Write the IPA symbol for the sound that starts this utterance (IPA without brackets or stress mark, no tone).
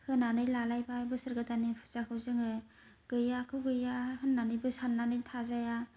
h